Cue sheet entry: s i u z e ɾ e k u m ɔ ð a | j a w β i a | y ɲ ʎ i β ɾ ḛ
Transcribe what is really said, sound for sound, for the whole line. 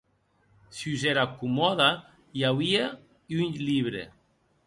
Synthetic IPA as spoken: s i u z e ɾ a k u m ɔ ð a | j a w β i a | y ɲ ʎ i β ɾ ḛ